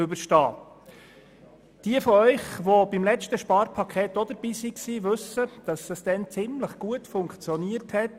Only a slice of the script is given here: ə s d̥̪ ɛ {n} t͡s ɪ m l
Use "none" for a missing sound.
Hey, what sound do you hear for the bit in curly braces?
n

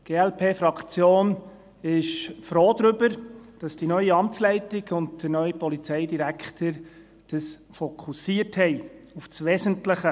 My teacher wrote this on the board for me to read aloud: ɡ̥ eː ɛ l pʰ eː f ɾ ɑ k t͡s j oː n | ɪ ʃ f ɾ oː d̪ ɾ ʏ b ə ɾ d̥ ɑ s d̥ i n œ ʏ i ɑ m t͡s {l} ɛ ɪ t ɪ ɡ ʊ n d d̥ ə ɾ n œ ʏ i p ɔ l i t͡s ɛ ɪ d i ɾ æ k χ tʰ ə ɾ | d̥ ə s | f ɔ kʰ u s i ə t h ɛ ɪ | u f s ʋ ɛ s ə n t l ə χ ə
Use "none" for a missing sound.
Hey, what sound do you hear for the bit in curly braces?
l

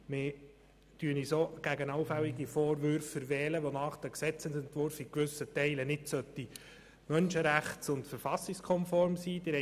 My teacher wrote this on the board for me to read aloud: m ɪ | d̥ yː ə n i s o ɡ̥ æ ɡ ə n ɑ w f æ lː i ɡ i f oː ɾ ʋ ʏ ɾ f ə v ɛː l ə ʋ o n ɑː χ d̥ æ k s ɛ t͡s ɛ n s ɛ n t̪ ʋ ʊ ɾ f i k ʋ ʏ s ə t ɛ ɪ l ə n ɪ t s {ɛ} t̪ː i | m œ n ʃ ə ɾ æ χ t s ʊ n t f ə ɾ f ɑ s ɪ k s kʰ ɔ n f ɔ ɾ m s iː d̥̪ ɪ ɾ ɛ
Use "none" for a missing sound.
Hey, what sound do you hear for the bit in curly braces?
œ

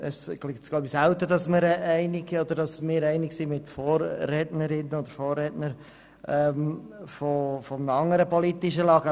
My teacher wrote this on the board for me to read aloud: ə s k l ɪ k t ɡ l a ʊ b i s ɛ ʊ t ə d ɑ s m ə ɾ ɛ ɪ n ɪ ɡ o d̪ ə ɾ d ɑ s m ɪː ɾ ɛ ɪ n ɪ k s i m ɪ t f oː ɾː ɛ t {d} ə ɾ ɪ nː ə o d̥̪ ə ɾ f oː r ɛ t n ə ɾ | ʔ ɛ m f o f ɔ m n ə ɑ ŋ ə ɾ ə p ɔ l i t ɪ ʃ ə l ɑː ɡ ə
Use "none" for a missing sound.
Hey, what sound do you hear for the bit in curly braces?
n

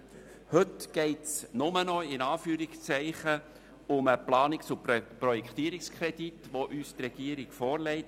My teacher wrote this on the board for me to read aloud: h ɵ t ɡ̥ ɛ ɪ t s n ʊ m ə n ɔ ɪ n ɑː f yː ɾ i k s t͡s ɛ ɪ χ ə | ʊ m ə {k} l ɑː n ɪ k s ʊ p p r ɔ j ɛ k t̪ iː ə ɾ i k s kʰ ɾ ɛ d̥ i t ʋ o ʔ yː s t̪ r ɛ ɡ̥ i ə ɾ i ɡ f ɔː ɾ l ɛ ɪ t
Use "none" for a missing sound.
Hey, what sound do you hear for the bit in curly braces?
p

